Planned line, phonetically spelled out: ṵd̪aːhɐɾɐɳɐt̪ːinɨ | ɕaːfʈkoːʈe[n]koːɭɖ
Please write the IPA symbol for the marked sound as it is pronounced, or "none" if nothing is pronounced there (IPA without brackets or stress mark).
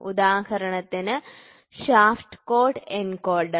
n